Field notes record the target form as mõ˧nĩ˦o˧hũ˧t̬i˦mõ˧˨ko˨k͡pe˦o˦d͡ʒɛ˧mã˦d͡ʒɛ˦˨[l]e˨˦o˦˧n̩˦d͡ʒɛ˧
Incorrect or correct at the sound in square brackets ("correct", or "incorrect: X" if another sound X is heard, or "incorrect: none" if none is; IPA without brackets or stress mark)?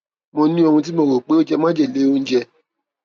correct